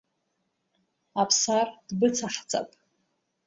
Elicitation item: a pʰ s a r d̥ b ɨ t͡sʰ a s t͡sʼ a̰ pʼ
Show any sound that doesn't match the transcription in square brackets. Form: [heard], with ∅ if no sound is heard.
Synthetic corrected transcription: a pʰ s a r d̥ b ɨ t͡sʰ a [ħ] t͡sʼ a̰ pʼ